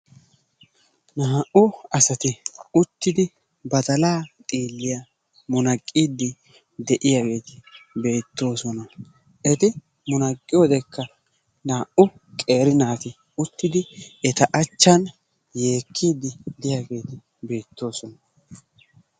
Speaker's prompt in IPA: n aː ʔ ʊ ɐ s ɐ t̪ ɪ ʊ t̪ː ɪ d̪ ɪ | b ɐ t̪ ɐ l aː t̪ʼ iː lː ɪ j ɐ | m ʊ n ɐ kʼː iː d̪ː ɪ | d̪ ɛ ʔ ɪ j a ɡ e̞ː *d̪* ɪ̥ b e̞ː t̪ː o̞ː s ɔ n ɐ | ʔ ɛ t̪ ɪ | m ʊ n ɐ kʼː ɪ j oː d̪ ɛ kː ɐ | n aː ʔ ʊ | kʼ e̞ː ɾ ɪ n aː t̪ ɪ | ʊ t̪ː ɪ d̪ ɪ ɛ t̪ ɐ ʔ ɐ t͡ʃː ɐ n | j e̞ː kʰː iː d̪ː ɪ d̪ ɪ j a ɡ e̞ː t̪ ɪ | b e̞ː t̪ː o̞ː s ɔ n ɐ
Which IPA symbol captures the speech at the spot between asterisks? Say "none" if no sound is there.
t̪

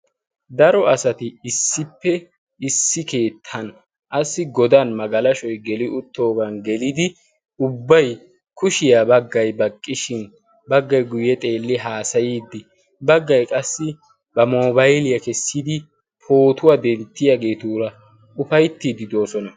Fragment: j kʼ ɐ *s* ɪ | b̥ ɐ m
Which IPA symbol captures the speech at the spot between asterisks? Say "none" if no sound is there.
sː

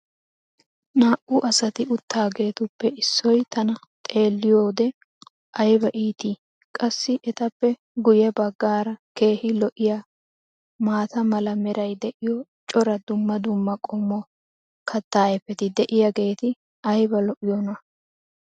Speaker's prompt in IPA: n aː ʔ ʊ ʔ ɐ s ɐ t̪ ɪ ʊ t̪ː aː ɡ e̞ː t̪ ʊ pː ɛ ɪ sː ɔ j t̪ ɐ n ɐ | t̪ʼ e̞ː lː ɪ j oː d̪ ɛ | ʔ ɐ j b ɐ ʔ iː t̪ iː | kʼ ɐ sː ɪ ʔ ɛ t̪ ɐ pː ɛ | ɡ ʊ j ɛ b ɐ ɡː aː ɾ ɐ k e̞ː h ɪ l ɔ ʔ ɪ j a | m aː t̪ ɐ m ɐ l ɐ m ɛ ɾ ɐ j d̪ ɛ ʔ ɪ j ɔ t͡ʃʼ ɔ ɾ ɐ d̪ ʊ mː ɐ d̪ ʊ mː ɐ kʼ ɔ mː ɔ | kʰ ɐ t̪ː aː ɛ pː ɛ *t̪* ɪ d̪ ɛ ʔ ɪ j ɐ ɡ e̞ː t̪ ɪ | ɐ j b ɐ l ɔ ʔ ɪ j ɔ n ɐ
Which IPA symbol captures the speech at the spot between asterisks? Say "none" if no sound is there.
t̪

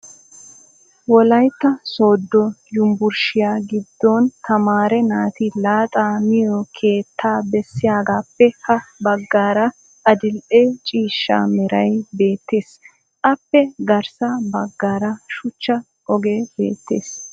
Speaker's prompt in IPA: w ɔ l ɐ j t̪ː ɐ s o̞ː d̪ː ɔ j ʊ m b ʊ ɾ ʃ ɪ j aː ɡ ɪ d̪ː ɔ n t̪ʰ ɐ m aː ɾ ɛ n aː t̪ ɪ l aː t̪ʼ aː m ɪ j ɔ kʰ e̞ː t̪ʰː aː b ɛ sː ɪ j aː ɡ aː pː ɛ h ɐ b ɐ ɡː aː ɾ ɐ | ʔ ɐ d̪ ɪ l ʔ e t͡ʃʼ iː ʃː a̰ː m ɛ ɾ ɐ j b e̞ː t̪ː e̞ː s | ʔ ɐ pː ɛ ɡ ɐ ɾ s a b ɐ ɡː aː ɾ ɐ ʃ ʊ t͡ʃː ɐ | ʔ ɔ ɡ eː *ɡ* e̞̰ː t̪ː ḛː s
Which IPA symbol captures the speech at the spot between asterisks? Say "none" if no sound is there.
b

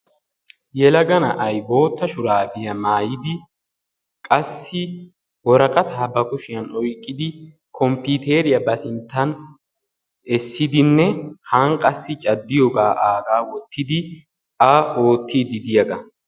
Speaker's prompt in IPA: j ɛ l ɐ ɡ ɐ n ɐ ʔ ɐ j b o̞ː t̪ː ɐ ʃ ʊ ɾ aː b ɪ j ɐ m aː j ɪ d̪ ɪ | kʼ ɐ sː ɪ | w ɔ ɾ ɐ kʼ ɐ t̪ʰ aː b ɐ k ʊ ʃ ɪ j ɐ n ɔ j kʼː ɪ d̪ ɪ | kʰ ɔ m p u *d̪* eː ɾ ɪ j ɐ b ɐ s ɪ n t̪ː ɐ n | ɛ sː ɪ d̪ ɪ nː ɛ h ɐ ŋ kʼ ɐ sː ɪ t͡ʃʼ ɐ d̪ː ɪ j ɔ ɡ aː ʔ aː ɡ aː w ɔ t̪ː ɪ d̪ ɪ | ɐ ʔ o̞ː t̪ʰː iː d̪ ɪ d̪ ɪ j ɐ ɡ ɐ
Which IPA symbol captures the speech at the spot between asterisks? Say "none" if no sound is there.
t̪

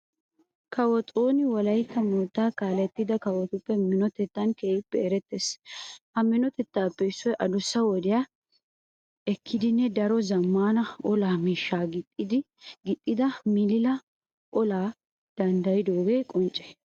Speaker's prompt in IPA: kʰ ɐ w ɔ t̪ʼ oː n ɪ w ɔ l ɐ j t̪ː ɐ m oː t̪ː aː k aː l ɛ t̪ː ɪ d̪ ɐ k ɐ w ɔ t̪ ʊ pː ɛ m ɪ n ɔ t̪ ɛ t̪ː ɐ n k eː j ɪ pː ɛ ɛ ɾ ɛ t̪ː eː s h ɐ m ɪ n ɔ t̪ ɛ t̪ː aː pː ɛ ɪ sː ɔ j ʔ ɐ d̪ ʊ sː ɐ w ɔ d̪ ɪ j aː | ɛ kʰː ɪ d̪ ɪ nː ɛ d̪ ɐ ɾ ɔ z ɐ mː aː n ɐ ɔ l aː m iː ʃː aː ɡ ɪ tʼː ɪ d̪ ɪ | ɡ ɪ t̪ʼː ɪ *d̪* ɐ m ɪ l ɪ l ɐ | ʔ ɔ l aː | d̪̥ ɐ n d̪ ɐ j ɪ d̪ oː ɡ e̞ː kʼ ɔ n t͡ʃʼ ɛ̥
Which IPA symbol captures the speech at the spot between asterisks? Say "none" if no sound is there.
d̪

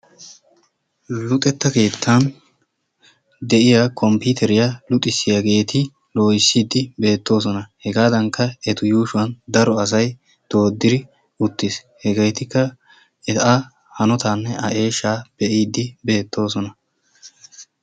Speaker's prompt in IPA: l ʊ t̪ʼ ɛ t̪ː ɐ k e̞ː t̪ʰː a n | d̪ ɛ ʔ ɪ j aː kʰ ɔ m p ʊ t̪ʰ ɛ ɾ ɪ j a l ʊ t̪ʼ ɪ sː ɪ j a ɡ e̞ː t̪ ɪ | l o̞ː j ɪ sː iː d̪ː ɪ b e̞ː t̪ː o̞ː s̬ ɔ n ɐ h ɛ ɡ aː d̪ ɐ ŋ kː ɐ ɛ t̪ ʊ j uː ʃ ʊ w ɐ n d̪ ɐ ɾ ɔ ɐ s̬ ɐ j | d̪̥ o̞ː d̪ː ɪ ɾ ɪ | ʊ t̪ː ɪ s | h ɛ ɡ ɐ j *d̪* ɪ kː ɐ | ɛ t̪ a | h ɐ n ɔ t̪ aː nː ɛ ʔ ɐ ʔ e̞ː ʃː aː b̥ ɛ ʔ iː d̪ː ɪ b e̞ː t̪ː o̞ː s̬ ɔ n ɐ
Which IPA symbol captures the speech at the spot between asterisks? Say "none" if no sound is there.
t̪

